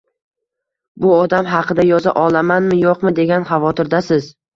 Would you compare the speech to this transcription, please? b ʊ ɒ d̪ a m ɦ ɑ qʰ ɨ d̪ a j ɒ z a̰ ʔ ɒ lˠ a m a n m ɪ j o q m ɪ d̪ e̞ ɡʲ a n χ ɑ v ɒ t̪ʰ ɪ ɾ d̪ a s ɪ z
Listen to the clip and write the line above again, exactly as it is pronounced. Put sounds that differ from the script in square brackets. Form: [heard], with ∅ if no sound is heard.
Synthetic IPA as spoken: b ʊ ɒ d̪ a m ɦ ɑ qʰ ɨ d̪ a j ɒ z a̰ ʔ ɒ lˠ a m a n m ɪ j o q m ɪ d̪ e̞ ɡʲ a n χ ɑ v ɒ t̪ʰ ɪ ɾ d̪ a s ɪ z